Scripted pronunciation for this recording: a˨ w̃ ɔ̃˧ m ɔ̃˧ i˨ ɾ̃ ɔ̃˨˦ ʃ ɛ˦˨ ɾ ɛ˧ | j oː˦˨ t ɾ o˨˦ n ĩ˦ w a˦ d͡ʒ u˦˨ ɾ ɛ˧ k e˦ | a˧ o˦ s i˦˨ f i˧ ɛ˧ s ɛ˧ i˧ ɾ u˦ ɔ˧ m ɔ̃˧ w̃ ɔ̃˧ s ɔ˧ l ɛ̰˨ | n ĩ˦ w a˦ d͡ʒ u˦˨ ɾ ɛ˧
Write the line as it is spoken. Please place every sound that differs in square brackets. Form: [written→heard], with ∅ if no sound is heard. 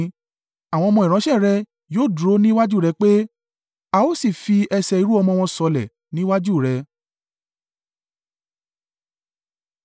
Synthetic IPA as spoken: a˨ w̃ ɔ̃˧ m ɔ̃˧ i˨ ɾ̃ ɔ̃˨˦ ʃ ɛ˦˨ ɾ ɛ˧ | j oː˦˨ [t→d] ɾ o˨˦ n ĩ˦ w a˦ d͡ʒ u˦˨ ɾ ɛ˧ [k→k͡p] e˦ | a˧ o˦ s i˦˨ f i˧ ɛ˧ s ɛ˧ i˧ ɾ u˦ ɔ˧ m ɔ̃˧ w̃ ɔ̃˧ s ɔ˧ l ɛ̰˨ | n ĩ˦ w a˦ d͡ʒ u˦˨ ɾ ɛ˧

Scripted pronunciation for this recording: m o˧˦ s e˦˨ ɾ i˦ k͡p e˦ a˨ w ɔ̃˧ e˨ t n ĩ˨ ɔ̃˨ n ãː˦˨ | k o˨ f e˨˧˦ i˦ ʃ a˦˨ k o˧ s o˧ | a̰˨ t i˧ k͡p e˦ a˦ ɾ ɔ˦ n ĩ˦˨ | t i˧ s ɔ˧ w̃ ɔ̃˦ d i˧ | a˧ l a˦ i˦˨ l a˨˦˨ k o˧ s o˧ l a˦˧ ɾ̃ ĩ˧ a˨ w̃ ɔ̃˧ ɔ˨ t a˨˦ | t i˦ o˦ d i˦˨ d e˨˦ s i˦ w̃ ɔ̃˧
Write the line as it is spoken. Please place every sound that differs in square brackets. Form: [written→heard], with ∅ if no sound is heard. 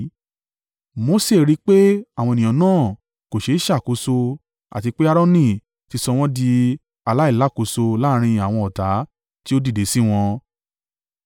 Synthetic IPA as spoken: m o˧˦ s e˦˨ ɾ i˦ k͡p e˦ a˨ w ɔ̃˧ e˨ [t→∅] n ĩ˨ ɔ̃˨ n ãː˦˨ | k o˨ [f→ʃ] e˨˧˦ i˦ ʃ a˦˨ k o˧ s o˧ | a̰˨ t i˧ k͡p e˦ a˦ ɾ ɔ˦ n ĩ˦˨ | t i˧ s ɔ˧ w̃ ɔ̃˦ d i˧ | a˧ l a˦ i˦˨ l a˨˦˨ k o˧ s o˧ l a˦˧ ɾ̃ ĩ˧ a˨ w̃ ɔ̃˧ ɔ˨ t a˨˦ | t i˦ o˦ d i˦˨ d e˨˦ s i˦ w̃ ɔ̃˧

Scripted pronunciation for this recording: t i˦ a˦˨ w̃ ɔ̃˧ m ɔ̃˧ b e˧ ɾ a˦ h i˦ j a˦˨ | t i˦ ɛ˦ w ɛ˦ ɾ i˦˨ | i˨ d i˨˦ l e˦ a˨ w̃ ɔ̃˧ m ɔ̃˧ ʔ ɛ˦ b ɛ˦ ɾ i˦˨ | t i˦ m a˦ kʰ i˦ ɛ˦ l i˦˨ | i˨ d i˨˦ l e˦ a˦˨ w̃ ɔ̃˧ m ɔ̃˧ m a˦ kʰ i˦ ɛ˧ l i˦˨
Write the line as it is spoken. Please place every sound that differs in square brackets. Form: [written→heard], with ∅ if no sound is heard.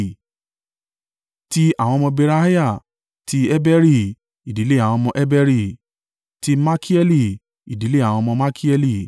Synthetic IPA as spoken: t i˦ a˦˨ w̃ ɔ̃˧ m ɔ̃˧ b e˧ ɾ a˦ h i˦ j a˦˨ | t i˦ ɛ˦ [w→b] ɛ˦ ɾ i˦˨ | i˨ d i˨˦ l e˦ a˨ w̃ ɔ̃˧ m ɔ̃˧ ʔ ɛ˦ b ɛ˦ ɾ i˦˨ | t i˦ m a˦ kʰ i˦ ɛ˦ l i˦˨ | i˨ d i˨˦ l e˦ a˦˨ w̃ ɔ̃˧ m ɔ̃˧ m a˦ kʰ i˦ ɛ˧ l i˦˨

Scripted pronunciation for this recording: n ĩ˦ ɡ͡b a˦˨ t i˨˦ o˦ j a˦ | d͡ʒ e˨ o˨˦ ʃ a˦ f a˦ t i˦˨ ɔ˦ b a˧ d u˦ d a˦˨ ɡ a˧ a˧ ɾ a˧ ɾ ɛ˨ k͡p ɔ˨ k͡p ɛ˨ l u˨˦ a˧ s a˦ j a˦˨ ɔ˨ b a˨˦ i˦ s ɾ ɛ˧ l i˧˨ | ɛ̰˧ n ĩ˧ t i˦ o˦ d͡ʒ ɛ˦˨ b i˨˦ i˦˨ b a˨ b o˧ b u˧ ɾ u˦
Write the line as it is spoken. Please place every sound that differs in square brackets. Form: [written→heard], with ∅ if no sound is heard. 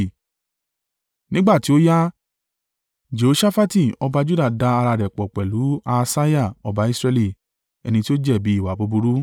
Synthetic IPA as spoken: n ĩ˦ ɡ͡b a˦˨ t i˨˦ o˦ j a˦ | d͡ʒ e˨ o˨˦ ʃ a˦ f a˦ t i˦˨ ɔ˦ b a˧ [d→d͡ʒ] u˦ d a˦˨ [ɡ→d] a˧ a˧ ɾ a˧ ɾ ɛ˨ k͡p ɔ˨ k͡p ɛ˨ l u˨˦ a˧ s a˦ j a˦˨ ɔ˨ b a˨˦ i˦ s ɾ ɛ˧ l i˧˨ | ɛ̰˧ n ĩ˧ t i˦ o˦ d͡ʒ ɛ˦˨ b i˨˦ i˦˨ [b→w] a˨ b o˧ b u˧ ɾ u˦

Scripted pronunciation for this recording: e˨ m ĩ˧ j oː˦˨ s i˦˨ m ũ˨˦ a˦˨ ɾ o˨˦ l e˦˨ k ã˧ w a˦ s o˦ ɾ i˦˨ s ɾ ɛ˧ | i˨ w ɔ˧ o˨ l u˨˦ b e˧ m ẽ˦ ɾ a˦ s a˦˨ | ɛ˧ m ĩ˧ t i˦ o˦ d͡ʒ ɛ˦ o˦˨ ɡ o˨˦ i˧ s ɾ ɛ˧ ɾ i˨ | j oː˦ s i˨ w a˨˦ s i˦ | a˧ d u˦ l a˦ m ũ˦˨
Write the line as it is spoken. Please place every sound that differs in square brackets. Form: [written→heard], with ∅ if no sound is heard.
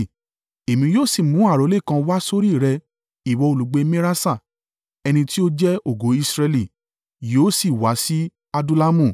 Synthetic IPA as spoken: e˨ m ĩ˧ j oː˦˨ s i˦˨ m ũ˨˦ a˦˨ ɾ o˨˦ l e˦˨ k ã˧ w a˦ s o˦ ɾ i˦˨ [s→∅] ɾ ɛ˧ | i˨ w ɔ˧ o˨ l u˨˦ [b→ɡ͡b] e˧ m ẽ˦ ɾ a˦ s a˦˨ | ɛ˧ [m→n] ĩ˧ t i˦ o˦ d͡ʒ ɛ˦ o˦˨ ɡ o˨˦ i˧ s ɾ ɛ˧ [ɾ→l] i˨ | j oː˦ s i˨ w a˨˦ s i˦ | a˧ d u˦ l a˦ m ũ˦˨

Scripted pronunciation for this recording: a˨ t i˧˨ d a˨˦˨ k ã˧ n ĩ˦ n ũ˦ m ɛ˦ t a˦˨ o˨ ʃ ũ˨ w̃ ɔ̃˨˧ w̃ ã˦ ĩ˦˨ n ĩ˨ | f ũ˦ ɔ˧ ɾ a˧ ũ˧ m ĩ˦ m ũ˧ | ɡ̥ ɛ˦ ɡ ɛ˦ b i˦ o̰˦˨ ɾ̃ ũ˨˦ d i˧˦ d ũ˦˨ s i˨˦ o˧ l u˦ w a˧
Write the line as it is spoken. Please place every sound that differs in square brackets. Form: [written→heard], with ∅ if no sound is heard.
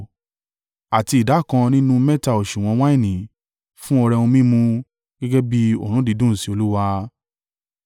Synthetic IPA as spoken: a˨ t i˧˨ d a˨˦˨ k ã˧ n ĩ˦ n ũ˦ m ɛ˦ t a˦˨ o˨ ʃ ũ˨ w̃ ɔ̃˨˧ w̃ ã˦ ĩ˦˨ n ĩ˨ | f ũ˦ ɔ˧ ɾ [a˧→ɛ˧] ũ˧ m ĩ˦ m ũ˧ | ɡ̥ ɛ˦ ɡ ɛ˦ b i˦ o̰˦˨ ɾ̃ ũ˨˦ d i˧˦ d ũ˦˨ s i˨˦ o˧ l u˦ w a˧

